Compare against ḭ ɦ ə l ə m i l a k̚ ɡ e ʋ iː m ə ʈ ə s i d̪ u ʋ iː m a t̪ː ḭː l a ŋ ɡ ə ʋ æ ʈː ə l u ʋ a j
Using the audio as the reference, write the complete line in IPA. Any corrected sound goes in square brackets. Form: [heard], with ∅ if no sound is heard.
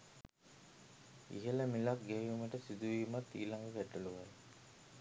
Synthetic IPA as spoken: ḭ ɦ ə l ə m i l a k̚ ɡ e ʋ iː m ə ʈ ə s i d̪ u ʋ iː m a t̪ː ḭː l a ŋ ɡ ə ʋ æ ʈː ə l u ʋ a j